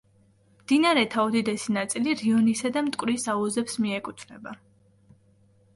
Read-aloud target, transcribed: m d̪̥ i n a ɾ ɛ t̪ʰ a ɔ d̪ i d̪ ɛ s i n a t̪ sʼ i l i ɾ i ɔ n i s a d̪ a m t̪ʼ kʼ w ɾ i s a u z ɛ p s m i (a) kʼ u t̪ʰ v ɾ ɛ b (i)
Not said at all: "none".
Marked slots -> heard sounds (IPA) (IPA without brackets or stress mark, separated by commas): ɛ, a